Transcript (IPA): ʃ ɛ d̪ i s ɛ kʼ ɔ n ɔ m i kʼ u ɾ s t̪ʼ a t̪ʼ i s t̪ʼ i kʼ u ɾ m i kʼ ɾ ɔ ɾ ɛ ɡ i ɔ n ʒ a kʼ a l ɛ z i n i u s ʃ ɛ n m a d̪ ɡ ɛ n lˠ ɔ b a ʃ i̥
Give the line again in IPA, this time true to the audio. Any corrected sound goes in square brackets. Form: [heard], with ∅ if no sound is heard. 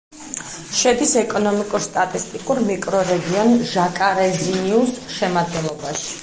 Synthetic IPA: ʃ ɛ d̪ i s ɛ kʼ ɔ n ɔ m i kʼ u ɾ s t̪ʼ a t̪ʼ i s t̪ʼ i kʼ u ɾ m i kʼ ɾ ɔ ɾ ɛ ɡ i ɔ n ʒ a kʼ a [ɾ] ɛ z i n i u s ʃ ɛ [∅] m a d̪ ɡ ɛ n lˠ ɔ b a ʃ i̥